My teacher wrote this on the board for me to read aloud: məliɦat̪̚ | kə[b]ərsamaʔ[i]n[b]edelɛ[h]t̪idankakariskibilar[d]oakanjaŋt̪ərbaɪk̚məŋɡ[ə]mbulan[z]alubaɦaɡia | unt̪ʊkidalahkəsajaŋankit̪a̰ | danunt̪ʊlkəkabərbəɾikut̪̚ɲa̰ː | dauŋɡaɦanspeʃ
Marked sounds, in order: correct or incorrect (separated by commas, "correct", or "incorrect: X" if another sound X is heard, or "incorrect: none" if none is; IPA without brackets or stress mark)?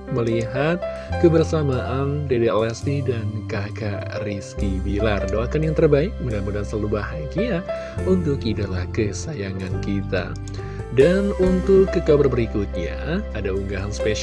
correct, incorrect: a, incorrect: d, incorrect: s, correct, incorrect: a, incorrect: s